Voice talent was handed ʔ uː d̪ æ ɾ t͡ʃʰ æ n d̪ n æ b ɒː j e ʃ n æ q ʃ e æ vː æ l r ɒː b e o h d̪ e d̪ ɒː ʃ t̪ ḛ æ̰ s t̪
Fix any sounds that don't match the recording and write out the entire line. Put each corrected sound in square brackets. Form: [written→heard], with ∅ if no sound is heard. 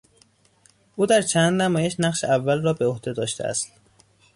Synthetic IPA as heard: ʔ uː d̪ æ ɾ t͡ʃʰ æ n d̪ n æ [b→m] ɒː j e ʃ n æ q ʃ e æ vː æ l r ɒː b e o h d̪ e d̪ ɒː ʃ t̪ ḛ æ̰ s t̪